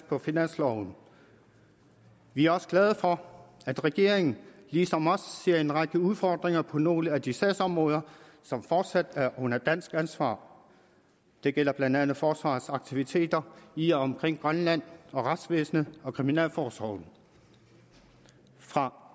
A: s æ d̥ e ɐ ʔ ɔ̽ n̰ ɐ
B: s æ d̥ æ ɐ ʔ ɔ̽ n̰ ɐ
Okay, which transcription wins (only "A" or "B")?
B